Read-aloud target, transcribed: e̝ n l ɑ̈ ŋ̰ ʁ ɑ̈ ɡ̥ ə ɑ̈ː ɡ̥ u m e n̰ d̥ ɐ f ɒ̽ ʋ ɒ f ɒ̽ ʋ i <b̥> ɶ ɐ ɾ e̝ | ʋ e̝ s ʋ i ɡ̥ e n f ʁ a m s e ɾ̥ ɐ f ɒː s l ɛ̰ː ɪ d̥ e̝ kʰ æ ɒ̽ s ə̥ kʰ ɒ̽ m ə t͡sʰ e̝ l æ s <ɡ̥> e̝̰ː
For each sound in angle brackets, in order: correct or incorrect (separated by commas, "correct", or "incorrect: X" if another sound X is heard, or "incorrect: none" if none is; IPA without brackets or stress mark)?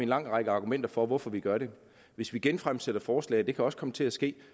incorrect: ɡ̥, correct